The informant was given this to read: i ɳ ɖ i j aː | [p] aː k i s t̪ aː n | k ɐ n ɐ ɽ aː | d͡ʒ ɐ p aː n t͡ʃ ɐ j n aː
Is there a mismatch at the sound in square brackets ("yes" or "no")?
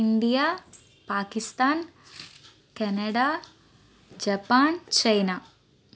no